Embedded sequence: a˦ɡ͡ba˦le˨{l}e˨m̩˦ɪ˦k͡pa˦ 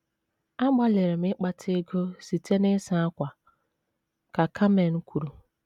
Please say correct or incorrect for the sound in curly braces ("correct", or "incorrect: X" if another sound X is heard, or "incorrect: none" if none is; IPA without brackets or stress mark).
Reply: incorrect: ɾ